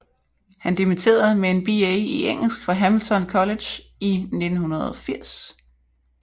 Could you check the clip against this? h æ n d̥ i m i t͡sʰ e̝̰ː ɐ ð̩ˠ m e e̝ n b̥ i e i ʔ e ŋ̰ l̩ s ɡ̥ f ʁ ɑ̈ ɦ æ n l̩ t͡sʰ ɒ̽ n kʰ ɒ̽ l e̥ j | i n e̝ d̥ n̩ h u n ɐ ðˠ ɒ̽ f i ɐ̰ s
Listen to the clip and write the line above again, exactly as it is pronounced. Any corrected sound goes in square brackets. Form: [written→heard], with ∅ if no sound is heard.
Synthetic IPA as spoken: h æ n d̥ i m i t͡sʰ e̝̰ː ɐ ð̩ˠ m e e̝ n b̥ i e i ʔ e ŋ̰ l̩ s ɡ̥ f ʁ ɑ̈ ɦ æ [n→m] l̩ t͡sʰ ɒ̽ n kʰ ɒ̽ l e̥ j | i n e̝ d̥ n̩ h u n ɐ ðˠ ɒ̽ f i ɐ̰ s